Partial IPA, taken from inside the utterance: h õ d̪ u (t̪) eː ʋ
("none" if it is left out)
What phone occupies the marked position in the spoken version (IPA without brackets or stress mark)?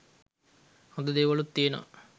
d̪